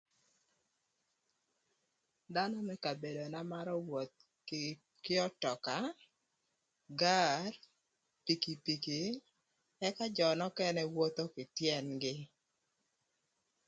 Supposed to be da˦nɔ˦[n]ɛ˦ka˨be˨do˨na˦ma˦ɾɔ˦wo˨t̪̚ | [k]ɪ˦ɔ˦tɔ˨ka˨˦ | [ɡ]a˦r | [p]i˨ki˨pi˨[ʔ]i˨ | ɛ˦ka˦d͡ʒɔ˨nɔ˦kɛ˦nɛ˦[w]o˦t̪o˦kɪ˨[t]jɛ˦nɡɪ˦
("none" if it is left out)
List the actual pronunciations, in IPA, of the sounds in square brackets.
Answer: m, k, ɡ, p, k, w, t

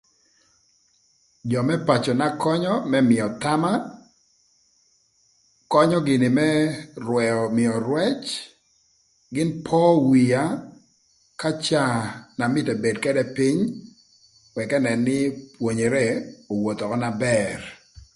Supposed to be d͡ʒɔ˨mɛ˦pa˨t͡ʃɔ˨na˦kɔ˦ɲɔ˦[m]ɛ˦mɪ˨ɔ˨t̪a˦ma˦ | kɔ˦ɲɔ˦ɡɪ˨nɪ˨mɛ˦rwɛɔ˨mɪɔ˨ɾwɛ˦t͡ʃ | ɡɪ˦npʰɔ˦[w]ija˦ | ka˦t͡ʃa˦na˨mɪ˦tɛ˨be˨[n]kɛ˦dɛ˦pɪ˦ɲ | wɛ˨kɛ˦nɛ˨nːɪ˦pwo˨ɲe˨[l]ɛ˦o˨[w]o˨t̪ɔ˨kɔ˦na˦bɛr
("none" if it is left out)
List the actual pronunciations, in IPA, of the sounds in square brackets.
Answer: m, w, d, ɾ, w

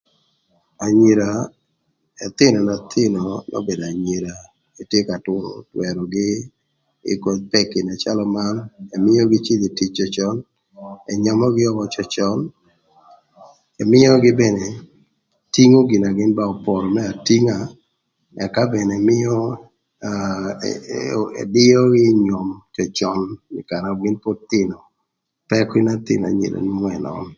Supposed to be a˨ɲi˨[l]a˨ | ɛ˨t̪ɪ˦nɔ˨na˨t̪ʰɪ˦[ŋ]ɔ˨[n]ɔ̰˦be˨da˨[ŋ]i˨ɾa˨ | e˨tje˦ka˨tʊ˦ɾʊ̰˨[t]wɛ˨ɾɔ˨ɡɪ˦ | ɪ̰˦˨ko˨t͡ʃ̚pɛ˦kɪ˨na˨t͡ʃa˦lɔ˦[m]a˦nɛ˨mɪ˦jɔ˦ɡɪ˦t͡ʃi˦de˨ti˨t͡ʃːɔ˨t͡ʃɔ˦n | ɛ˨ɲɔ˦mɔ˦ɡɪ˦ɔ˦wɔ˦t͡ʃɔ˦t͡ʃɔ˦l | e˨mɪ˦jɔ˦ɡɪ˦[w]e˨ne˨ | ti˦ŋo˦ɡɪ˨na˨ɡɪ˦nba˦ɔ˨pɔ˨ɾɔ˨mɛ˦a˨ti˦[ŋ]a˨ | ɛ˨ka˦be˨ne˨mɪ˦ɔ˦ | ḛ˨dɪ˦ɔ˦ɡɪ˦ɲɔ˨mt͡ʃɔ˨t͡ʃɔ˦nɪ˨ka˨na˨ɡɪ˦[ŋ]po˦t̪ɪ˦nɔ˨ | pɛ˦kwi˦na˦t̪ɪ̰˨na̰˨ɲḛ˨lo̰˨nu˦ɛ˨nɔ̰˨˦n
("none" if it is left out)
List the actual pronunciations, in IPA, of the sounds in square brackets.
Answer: ɾ, n, n, ɲ, t, m, b, ŋ, n

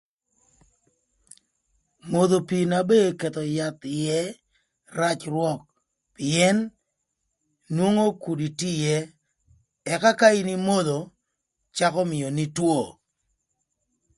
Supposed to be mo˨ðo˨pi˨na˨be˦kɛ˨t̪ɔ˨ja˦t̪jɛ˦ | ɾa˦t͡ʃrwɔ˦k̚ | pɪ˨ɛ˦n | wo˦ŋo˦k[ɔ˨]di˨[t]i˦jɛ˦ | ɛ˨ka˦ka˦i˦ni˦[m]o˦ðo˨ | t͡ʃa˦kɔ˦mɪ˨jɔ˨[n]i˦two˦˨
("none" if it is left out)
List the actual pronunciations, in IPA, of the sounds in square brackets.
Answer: u˨, t, m, n

